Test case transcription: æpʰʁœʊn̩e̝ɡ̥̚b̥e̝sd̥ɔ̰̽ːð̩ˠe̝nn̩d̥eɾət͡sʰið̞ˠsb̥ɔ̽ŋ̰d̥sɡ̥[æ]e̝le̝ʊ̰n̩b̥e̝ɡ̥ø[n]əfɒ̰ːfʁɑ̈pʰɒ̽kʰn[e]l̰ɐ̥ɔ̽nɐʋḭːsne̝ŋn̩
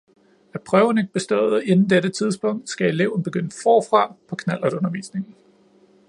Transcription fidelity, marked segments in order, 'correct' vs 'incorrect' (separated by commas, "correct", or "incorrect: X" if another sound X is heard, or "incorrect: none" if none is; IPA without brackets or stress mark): correct, correct, incorrect: æ